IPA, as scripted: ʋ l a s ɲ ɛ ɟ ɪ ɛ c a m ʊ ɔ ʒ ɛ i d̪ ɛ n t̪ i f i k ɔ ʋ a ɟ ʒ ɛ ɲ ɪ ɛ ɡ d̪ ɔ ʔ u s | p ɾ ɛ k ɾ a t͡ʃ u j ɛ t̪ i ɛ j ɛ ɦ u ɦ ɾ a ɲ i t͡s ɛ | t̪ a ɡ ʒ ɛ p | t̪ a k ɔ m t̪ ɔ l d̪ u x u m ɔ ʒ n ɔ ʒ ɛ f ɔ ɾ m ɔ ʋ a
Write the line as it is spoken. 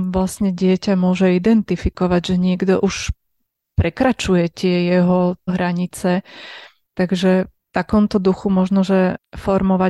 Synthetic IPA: ʋ l a s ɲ ɛ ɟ ɪ ɛ c a m ʊ ɔ ʒ ɛ i d̪ ɛ n t̪ i f i k ɔ ʋ a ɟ ʒ ɛ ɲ ɪ ɛ ɡ d̪ ɔ ʔ u ʃ | p ɾ ɛ k ɾ a t͡ʃ u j ɛ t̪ ɪ ɛ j ɛ ɦ ɔ ɦ ɾ a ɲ i t͡s ɛ | t̪ a ɡ ʒ ɛ | t̪ a k ɔ m t̪ ɔ d̪ u x u m ɔ ʒ n ɔ ʒ ɛ f ɔ ɾ m ɔ ʋ a